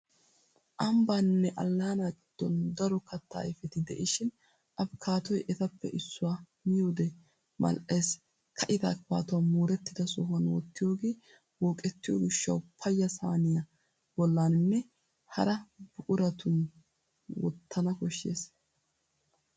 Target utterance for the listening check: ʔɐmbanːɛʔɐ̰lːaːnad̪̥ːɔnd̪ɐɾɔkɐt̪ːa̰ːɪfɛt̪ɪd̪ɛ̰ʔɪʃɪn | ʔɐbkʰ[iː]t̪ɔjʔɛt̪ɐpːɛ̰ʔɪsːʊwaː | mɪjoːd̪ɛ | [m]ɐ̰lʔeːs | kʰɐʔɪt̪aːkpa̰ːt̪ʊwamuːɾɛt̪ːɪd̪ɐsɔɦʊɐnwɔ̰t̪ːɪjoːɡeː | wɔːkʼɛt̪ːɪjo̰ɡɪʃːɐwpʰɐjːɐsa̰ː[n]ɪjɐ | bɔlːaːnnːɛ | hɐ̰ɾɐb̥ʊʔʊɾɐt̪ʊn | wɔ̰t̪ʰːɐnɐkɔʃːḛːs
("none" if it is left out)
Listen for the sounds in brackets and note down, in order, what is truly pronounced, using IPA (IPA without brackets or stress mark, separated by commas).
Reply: aː, m, n